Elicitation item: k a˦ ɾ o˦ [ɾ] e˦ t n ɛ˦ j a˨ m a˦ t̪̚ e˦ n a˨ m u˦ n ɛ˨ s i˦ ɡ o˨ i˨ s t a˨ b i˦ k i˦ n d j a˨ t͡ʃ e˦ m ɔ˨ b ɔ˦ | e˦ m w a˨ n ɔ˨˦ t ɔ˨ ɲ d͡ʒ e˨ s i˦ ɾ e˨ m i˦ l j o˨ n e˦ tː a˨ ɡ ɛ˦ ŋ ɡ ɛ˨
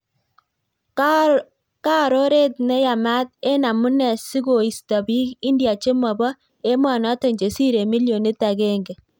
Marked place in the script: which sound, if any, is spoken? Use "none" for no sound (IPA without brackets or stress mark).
ɾ